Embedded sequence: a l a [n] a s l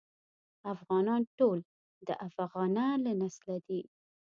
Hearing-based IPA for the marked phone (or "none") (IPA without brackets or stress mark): n